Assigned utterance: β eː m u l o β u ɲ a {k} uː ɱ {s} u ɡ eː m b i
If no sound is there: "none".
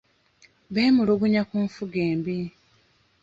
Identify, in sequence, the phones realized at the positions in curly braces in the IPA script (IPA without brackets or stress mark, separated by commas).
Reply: k, f